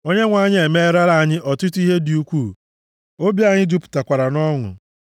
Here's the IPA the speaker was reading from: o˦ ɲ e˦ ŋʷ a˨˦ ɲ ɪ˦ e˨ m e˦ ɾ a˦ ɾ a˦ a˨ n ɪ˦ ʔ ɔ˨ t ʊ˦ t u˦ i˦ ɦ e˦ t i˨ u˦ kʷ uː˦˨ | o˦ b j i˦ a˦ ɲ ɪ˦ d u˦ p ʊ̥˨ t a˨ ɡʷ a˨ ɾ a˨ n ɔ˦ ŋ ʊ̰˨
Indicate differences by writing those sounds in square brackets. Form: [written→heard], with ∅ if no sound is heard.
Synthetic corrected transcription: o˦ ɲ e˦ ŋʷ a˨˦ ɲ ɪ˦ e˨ m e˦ ɾ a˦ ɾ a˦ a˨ [n→ɲ] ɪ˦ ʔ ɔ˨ t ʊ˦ t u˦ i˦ ɦ e˦ [t→d] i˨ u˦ kʷ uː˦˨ | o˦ b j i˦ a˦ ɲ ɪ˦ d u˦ p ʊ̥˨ t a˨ [ɡʷ→kʷ] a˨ ɾ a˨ n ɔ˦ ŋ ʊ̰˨